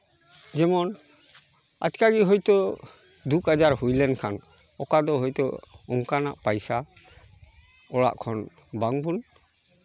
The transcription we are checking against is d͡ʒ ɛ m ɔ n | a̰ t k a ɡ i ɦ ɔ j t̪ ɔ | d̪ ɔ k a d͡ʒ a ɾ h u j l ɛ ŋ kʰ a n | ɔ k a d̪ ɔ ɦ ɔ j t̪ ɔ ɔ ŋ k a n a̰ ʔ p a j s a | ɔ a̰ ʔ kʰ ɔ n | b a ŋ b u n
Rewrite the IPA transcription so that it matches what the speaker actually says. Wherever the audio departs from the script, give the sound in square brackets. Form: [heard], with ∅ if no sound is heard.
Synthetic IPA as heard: d͡ʒ ɛ m ɔ n | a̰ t k a ɡ i ɦ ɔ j t̪ ɔ | d̪ [u] k a d͡ʒ a ɾ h u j l ɛ [n] kʰ a n | ɔ k a d̪ ɔ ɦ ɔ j t̪ ɔ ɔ ŋ k a n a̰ ʔ p a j s a | ɔ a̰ ʔ kʰ ɔ n | b a ŋ b u n